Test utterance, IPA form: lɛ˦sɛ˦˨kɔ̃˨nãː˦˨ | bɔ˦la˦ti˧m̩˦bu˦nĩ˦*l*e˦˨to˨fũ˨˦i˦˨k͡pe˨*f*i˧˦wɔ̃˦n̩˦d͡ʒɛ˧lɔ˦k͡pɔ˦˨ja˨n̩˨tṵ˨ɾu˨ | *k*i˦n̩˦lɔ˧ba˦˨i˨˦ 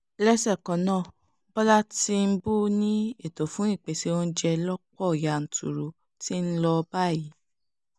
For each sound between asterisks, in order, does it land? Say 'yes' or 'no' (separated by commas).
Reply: no, no, no